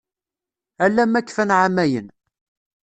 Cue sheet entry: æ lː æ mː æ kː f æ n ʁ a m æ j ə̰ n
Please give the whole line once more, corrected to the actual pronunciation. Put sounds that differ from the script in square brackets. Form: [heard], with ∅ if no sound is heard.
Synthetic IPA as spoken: æ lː æ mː æ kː f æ n [ʕ] a m æ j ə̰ n